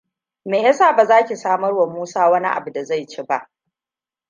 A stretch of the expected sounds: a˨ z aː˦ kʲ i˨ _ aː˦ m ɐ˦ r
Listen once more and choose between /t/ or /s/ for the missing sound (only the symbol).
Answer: s